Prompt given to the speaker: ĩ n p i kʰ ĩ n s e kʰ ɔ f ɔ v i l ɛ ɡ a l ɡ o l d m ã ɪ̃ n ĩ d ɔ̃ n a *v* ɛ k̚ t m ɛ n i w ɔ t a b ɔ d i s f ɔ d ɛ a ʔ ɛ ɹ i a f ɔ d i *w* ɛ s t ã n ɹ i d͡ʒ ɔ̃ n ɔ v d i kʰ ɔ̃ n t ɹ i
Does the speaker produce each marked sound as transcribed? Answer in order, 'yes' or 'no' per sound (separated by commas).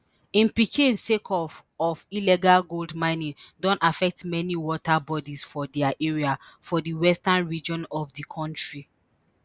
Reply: no, yes